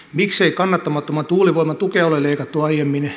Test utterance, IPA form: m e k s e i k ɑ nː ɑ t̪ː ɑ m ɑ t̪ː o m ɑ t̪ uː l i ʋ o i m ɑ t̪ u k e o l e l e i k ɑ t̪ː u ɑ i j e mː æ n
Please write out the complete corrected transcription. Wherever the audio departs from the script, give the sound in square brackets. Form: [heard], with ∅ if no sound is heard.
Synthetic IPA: m [i] k s e i k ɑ nː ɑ t̪ː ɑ m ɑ t̪ː o m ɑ t̪ uː l i ʋ o i m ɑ t̪ u k e o l e l e i k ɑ t̪ː u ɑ i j e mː [i] n